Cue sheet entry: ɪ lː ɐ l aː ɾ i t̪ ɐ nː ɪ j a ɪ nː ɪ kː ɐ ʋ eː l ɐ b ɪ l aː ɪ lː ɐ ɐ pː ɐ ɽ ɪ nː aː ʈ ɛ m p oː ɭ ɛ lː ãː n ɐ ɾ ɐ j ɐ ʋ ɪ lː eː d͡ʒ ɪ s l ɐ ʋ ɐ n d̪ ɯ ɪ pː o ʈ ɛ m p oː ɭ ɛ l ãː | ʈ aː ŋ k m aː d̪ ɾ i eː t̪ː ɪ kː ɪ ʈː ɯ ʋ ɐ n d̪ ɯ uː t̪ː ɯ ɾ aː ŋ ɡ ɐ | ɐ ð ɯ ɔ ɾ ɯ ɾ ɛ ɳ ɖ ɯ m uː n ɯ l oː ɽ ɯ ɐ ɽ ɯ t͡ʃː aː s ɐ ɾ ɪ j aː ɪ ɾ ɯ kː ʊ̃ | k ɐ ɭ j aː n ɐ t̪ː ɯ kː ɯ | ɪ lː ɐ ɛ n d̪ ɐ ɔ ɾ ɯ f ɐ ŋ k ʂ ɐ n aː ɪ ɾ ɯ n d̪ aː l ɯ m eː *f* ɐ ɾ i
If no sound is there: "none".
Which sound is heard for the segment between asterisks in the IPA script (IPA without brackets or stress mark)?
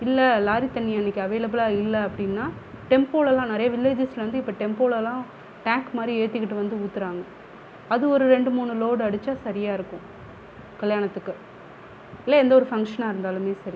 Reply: s